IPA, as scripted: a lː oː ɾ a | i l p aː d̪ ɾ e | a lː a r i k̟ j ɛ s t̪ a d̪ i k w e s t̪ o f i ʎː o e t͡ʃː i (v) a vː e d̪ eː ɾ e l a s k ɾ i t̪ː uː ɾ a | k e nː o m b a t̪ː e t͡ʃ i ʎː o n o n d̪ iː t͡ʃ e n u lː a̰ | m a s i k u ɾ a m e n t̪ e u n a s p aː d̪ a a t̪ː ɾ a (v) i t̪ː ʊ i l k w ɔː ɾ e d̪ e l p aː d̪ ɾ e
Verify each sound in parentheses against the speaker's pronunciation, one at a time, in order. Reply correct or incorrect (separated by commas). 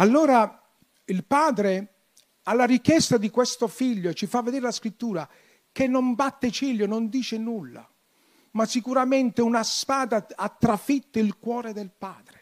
incorrect, incorrect